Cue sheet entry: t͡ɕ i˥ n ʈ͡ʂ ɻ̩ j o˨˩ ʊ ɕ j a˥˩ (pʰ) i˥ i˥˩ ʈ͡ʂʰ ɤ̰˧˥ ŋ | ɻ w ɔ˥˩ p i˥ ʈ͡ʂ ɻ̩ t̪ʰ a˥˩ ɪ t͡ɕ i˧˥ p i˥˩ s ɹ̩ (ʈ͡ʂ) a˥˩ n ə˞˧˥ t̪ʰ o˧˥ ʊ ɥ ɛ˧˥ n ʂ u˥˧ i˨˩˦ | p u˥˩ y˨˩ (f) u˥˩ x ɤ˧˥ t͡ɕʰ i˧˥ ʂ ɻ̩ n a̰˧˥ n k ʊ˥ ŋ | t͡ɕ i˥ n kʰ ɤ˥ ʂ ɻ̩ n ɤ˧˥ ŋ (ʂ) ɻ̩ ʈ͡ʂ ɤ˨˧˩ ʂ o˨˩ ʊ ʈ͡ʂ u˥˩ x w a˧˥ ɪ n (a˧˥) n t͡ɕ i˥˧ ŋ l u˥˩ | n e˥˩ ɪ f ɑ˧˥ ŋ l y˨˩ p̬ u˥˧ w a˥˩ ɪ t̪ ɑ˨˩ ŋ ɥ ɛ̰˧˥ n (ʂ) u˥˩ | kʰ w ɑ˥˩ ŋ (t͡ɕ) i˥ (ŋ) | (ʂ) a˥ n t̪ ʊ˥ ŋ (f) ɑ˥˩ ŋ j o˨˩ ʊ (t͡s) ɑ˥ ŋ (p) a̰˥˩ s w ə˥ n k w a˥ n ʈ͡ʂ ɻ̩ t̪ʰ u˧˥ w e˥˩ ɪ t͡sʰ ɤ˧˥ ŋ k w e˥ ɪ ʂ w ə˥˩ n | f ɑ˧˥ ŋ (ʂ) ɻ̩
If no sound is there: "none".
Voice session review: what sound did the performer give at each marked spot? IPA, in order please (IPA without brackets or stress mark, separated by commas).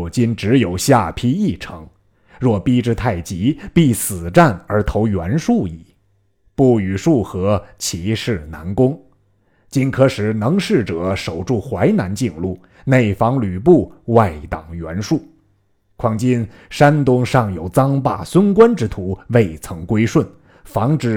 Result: pʰ, ʈ͡ʂ, ʂ, ʂ, a˧˥, ʂ, t͡ɕ, n, ʂ, ʂ, t͡s, p, ʈ͡ʂ